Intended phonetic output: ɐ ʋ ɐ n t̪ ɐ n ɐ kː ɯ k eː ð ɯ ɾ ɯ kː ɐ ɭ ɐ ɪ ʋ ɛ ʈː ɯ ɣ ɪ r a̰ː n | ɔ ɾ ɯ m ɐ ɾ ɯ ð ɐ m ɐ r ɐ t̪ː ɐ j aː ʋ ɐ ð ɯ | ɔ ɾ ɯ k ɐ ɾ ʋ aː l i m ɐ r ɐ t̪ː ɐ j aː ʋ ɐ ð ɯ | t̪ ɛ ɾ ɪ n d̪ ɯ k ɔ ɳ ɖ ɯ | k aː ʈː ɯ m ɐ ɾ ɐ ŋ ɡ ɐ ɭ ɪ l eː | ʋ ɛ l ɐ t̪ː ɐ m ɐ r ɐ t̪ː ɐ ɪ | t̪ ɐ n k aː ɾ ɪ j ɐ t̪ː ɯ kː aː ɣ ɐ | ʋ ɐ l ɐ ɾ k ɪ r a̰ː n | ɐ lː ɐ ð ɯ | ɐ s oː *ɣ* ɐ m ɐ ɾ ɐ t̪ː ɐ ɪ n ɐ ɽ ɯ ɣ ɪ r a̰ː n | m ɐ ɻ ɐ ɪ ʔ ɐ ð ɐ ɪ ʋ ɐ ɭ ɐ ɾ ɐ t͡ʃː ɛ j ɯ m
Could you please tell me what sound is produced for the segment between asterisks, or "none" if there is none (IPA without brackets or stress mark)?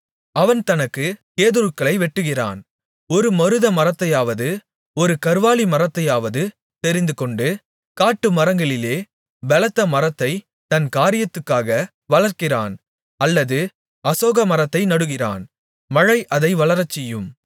ɣ